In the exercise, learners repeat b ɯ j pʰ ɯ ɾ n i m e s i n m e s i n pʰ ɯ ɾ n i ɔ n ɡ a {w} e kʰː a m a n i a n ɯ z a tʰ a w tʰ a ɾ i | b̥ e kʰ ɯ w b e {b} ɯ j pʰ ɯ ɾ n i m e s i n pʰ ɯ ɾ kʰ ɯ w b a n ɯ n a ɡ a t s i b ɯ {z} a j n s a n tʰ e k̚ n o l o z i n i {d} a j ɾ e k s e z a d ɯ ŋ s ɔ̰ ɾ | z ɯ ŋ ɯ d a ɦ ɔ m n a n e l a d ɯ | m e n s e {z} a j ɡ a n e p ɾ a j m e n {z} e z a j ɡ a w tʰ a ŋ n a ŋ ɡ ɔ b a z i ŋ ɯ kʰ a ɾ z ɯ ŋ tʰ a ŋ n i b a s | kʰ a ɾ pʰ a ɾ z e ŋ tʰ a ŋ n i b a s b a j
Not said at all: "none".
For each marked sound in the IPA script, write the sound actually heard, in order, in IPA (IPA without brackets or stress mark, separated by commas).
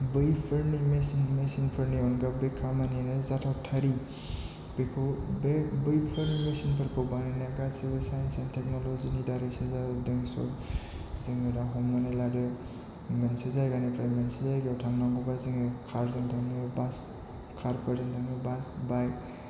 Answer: b, b, s, d, z, s